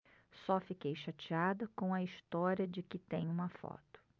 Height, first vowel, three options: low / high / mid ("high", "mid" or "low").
mid